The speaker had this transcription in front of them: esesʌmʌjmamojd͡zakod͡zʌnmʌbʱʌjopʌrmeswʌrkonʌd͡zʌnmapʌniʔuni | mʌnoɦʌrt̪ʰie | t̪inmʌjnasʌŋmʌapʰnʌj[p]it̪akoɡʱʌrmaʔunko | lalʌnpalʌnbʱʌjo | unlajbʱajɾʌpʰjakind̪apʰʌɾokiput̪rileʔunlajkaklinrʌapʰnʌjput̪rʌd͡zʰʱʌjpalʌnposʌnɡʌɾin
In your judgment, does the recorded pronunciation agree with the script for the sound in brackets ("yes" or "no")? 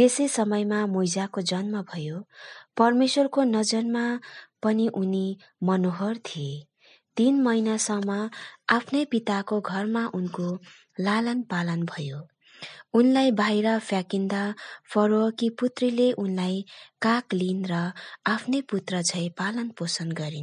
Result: yes